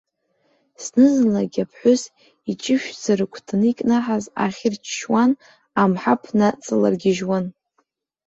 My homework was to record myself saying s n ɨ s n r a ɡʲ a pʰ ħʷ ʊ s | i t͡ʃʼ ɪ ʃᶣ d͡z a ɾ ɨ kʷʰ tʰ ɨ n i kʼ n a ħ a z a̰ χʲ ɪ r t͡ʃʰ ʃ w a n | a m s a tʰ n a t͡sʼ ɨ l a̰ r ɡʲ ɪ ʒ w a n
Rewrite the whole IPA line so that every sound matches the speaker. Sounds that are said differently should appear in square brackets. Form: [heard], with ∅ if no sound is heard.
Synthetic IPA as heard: s n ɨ [z] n [l] a ɡʲ a pʰ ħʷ ʊ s | i t͡ʃʼ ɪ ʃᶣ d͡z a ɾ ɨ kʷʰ tʰ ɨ n i kʼ n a ħ a z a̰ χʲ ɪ r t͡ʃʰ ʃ w a n | a m [ħ] a [pʰ] n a t͡sʼ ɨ l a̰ r ɡʲ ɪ ʒ w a n